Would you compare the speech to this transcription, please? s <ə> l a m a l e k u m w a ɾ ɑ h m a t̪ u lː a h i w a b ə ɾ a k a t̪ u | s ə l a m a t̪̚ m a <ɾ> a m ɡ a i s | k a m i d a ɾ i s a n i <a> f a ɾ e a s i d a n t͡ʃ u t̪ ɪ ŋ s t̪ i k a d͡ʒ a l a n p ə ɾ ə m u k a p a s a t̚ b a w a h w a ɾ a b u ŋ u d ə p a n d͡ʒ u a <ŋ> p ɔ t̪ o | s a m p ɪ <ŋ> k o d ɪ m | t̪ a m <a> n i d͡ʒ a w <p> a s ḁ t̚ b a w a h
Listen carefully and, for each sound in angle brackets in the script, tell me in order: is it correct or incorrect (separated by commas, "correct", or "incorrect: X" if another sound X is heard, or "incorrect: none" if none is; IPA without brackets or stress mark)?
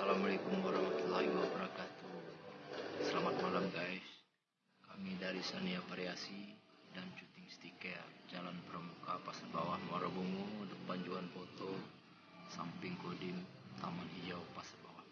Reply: incorrect: a, incorrect: l, correct, incorrect: n, correct, correct, correct